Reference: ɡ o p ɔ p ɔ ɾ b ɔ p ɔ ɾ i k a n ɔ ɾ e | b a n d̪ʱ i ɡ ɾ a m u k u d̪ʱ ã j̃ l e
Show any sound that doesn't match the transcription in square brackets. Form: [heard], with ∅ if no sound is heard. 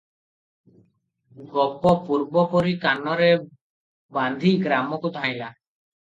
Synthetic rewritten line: ɡ [ɔ] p ɔ p [u] ɾ b ɔ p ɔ ɾ i k a n ɔ ɾ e | b a n d̪ʱ i ɡ ɾ a m [ɔ] k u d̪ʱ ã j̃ l [a]